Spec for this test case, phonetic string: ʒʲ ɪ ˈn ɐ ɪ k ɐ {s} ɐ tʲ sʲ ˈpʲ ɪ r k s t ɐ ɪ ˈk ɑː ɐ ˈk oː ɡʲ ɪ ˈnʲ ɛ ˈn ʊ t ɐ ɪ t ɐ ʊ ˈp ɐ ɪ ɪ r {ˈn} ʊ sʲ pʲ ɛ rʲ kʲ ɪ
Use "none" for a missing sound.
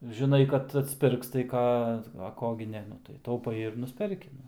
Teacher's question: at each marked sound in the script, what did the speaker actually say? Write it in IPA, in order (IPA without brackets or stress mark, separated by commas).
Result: t, n